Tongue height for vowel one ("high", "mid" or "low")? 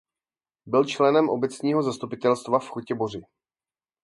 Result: high